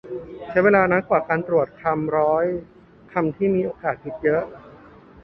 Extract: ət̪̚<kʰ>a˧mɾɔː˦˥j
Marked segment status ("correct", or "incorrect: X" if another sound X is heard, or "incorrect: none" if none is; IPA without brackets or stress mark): correct